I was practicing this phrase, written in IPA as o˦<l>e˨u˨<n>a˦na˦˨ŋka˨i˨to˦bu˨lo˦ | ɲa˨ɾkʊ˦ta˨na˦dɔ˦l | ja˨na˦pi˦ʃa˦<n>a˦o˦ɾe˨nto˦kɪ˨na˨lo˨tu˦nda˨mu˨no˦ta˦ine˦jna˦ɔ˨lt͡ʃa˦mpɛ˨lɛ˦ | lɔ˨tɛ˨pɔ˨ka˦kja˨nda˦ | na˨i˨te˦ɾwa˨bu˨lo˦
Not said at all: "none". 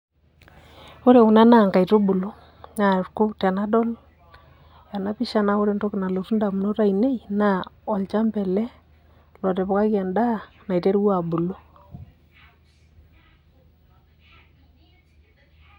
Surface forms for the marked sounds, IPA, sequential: ɾ, n, n

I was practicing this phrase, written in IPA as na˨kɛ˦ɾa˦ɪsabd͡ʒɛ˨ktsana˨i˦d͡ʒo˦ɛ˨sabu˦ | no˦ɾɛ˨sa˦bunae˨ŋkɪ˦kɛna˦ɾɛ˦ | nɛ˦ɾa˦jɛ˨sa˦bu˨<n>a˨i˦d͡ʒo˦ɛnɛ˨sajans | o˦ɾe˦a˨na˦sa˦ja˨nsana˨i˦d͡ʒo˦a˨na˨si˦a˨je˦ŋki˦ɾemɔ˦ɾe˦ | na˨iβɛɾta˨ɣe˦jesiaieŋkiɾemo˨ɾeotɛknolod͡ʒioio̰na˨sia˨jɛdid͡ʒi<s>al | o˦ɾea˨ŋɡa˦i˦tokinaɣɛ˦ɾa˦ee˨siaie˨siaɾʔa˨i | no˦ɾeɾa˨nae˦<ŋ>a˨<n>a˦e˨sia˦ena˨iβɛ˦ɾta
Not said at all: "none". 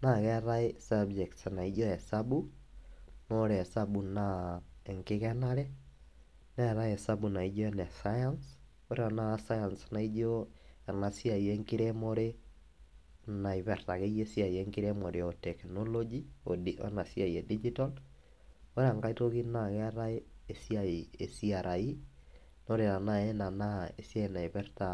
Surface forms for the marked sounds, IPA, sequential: n, t, n, n

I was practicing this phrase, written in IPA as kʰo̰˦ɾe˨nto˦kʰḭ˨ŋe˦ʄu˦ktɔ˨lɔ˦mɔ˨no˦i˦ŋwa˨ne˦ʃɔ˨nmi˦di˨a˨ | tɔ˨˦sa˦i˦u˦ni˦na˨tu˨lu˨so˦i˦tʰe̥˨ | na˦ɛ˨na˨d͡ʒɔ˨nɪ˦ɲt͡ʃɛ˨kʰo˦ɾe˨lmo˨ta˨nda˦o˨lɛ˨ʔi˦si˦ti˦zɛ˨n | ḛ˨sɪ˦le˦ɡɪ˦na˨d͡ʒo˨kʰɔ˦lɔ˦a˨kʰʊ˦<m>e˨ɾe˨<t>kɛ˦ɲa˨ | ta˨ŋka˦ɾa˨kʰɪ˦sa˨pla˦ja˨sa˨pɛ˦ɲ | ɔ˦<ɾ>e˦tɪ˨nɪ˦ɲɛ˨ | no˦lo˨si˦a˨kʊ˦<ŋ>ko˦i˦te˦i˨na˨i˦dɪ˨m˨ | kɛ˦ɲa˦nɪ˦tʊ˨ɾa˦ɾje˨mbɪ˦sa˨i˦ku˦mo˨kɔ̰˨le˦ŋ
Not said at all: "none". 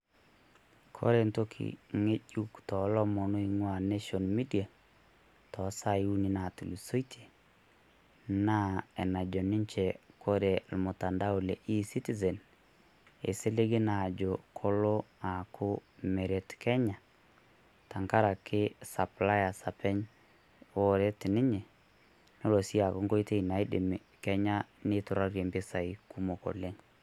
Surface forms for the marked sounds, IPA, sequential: m, t, ɾ, ŋ

